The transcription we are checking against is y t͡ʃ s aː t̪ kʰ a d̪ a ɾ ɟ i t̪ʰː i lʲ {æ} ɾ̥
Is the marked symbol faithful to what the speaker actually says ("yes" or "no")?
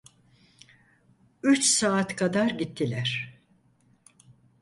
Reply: yes